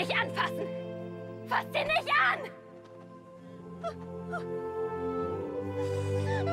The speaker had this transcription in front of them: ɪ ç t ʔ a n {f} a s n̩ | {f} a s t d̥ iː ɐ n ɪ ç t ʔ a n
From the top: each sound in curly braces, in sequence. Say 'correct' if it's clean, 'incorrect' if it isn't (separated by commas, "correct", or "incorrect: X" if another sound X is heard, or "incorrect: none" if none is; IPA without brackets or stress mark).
correct, correct